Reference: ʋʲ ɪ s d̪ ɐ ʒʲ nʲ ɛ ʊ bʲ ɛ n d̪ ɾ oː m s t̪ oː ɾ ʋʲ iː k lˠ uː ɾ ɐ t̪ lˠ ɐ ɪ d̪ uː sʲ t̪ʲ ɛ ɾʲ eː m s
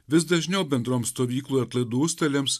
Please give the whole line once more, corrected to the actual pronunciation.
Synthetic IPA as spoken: ʋʲ ɪ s d̪ ɐ ʒʲ nʲ ɛ ʊ bʲ ɛ n d̪ ɾ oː m s t̪ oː ʋʲ iː k lˠ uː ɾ ɐ t̪ lˠ ɐ ɪ d̪ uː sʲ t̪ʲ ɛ lʲ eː m s

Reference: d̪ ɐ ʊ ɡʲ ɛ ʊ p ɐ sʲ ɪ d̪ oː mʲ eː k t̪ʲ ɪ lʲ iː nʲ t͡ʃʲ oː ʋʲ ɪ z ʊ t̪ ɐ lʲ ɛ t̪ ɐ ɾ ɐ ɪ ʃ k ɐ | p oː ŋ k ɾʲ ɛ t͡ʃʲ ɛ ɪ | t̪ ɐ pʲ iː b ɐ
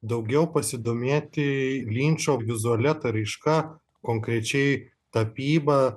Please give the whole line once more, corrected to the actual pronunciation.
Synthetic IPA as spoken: d̪ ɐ ʊ ɡʲ ɛ ʊ p ɐ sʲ ɪ d̪ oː mʲ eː t̪ʲ ɪ lʲ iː nʲ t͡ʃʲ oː ʋʲ ɪ z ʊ ɐ lʲ ɛ t̪ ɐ ɾ ɐ ɪ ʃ k ɐ | k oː ŋ k ɾʲ ɛ t͡ʃʲ ɛ ɪ | t̪ ɐ pʲ iː b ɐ

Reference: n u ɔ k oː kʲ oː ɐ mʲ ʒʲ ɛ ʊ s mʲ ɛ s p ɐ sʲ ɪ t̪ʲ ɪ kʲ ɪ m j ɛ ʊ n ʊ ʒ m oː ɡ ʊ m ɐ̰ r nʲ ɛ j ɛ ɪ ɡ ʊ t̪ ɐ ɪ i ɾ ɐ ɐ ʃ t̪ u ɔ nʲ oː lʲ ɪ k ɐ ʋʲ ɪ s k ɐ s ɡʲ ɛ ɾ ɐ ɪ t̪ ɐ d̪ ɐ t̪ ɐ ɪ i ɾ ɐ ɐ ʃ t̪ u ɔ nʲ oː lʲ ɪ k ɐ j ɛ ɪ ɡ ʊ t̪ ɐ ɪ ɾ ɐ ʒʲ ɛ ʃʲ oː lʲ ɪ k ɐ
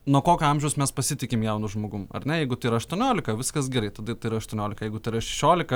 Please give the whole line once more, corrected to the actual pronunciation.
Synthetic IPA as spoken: n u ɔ k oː kʲ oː ɐ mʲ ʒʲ ɛ ʊ s mʲ ɛ s p ɐ sʲ ɪ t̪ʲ ɪ kʲ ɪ m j ɛ ʊ n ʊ ʒ m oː ɡ ʊ m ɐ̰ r nʲ ɛ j ɛ ɪ ɡ ʊ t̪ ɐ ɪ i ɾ ɐ ɐ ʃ t̪ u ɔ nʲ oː lʲ ɪ k ɐ ʋʲ ɪ s k ɐ s ɡʲ ɛ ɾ ɐ ɪ t̪ ɐ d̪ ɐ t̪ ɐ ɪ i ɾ ɐ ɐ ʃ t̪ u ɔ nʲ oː lʲ ɪ k ɐ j ɛ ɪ ɡ ʊ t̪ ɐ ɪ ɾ ɐ ʃʲ ɛ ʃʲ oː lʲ ɪ k ɐ

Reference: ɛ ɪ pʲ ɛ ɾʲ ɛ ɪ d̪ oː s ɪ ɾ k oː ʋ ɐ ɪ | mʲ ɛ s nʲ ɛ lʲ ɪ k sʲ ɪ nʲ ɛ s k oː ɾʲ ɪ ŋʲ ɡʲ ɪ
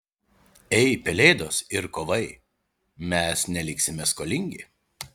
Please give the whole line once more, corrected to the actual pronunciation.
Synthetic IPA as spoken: ɛ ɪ pʲ ɛ lʲ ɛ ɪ d̪ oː s ɪ ɾ k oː ʋ ɐ ɪ | mʲ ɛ s nʲ ɛ lʲ ɪ k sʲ ɪ mʲ ɛ s k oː lʲ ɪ ŋʲ ɡʲ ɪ

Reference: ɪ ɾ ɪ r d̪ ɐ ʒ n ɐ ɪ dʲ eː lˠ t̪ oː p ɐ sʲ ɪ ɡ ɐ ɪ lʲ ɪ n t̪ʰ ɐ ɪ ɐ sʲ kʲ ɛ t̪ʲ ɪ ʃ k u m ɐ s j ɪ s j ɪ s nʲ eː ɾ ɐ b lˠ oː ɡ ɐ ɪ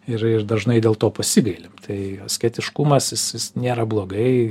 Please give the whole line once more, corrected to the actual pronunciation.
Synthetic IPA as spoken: ɪ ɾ ɪ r d̪ ɐ ʒ n ɐ ɪ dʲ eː lˠ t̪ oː p ɐ sʲ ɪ ɡ ɐ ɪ lʲ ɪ m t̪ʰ ɐ ɪ ɐ sʲ kʲ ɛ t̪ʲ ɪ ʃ k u m ɐ s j ɪ s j ɪ s nʲ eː ɾ ɐ b lˠ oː ɡ ɐ ɪ

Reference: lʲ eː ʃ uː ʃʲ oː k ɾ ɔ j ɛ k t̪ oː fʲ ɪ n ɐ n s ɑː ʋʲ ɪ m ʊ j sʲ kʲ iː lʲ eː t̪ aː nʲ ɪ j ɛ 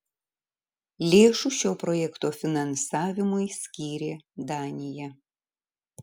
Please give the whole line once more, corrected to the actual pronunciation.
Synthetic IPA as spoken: lʲ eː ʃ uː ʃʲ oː p ɾ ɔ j ɛ k t̪ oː fʲ ɪ n ɐ n s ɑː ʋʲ ɪ m ʊ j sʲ kʲ iː ɾʲ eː d̪ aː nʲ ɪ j ɛ

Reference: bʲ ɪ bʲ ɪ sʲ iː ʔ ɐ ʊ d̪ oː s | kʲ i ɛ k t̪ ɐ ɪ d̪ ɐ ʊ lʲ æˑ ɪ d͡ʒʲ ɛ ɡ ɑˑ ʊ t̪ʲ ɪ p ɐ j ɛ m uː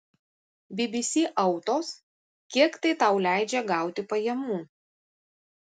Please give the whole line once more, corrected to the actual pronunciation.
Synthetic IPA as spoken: bʲ ɪ bʲ ɪ sʲ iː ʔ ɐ ʊ t̪ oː s | kʲ i ɛ k t̪ ɐ ɪ t̪ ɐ ʊ lʲ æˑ ɪ d͡ʒʲ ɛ ɡ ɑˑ ʊ t̪ʲ ɪ p ɐ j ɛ m uː

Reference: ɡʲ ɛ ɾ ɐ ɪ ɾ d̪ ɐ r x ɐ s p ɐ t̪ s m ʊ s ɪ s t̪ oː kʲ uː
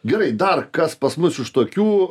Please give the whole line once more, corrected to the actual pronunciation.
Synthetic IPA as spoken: ɡʲ ɛ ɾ ɐ ɪ d̪ ɐ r k ɐ s p ɐ s m ʊ s ɪ ʃ t̪ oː kʲ uː

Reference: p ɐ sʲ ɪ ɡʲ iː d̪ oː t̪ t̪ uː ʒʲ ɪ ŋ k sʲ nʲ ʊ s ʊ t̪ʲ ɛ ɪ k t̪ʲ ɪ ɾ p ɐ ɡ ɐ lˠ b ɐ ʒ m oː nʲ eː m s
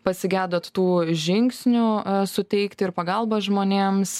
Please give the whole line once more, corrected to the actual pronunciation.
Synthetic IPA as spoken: p ɐ sʲ ɪ ɡʲ æː d̪ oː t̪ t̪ uː ʒʲ ɪ ŋ k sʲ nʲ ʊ s ʊ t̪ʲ ɛ ɪ k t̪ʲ ɪ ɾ p ɐ ɡ ɐ lˠ b ɐ ʒ m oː nʲ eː m s

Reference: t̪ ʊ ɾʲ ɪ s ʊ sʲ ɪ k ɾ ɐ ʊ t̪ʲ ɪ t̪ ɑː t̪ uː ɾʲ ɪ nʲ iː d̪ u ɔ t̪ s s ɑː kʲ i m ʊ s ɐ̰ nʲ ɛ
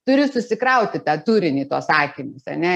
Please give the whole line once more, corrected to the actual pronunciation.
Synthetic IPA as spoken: t̪ ʊ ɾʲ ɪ s ʊ sʲ ɪ k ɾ ɐ ʊ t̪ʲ ɪ t̪ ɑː t̪ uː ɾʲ ɪ nʲ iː t̪ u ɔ s s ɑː kʲ i m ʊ s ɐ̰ nʲ ɛ

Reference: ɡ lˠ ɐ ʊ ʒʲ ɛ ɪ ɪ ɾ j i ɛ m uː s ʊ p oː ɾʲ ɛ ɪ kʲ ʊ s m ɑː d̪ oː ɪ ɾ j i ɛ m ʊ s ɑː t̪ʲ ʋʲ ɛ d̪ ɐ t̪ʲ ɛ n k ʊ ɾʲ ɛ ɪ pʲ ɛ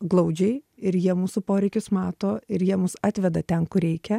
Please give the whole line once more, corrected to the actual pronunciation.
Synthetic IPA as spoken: ɡ lˠ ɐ ʊ d͡ʒʲ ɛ ɪ ɪ ɾ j i ɛ m uː s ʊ p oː ɾʲ ɛ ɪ kʲ ʊ s m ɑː t̪ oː ɪ ɾ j i ɛ m ʊ s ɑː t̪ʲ ʋʲ ɛ d̪ ɐ t̪ʲ ɛ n k ʊ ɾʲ ɛ ɪ kʲ ɛ

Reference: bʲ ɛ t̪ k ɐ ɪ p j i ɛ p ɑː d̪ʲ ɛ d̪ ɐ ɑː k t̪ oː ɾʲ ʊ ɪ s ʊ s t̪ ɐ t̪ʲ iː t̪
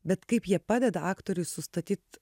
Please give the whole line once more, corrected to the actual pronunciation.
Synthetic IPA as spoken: bʲ ɛ t̪ k ɐ ɪ p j i ɛ p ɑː d̪ʲ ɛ d̪ ɐ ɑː k t̪ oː ɾʲ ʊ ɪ s ʊ s t̪ ɐ t̪ʲ iː t̪

